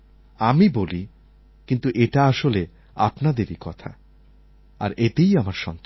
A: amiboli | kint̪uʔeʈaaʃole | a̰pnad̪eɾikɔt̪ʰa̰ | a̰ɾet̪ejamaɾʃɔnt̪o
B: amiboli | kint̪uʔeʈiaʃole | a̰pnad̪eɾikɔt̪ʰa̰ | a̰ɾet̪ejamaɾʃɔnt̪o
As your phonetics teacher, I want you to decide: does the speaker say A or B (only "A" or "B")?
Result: A